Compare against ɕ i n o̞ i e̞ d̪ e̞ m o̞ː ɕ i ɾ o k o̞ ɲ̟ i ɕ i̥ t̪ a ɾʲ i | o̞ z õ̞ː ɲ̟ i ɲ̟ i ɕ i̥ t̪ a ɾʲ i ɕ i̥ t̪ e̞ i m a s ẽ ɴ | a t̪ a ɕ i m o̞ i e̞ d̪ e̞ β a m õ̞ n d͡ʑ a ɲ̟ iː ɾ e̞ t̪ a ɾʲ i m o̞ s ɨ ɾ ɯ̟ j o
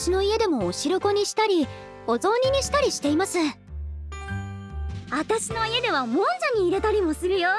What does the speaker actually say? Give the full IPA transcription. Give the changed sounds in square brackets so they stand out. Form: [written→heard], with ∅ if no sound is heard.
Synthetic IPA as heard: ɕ i n o̞ i e̞ d̪ e̞ m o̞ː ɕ i ɾ o k o̞ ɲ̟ i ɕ i̥ t̪ a ɾʲ i | o̞ z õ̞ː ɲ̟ i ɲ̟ i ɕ i̥ t̪ a ɾʲ i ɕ i̥ t̪ e̞ i m a s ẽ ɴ | a t̪ a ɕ i [m→n] o̞ i e̞ d̪ e̞ β a m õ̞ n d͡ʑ a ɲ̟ iː ɾ e̞ t̪ a ɾʲ i m o̞ s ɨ ɾ ɯ̟ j o

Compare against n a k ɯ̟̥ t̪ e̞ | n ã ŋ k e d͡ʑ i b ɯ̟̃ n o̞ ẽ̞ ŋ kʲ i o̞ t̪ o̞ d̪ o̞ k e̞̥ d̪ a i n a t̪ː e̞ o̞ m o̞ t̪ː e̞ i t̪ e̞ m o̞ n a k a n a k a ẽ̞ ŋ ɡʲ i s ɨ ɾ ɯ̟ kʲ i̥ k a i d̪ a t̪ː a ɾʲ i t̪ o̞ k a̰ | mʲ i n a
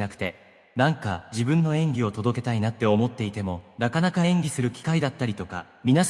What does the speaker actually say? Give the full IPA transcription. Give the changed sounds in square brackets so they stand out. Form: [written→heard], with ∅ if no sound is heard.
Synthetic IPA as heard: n a k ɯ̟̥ t̪ e̞ | n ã ŋ k [e→a] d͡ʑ i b ɯ̟̃ [n→nː] o̞ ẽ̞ ŋ [kʲ→ɡʲ] i o̞ t̪ o̞ d̪ o̞ k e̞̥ [d̪→t̪] a i n a t̪ː e̞ o̞ m o̞ t̪ː e̞ i t̪ e̞ m o̞ n a k a n a k a ẽ̞ ŋ ɡʲ i s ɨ ɾ ɯ̟ kʲ i̥ k a i d̪ a t̪ː a ɾʲ i t̪ o̞ k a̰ | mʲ i n a

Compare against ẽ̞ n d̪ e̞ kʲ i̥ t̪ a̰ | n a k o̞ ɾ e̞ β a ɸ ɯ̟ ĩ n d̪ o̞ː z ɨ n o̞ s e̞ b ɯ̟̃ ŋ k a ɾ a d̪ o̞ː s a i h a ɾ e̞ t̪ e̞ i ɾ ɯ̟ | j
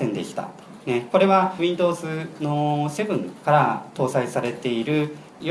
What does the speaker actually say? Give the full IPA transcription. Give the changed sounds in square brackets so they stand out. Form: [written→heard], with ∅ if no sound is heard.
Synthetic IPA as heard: ẽ̞ n d̪ e̞ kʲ i̥ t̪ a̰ | n [a→e] k o̞ ɾ e̞ β a ɸ ɯ̟ ĩ n d̪ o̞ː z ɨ n o̞ s e̞ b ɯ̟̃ ŋ k a ɾ a [d̪→t̪] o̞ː s a i [h→s] a ɾ e̞ t̪ e̞ i ɾ ɯ̟ | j

